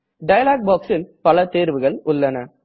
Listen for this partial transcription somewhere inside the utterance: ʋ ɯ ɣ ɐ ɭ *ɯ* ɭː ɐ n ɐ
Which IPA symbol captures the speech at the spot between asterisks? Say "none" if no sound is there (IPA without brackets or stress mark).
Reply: ʊ